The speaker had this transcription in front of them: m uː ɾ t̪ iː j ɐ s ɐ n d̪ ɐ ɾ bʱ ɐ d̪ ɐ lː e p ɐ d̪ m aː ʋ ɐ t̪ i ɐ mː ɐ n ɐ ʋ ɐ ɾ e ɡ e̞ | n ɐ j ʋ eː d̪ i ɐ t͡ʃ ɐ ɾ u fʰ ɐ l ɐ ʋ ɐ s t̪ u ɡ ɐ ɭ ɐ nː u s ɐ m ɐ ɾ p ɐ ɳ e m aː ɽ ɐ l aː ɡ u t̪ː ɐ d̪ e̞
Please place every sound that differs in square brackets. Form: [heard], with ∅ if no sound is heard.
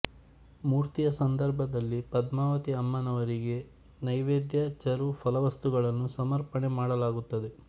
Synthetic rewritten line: m uː ɾ t̪ [i] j ɐ s ɐ n d̪ ɐ ɾ bʱ ɐ d̪ ɐ lː [i] p ɐ d̪ m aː ʋ ɐ t̪ i ɐ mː ɐ n ɐ ʋ ɐ ɾ [i] ɡ e̞ | n ɐ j ʋ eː d̪ [j] ɐ t͡ʃ ɐ ɾ u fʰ ɐ l ɐ ʋ ɐ s t̪ u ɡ ɐ ɭ ɐ nː u s ɐ m ɐ ɾ p ɐ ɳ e m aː ɽ ɐ l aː ɡ u t̪ː ɐ d̪ e̞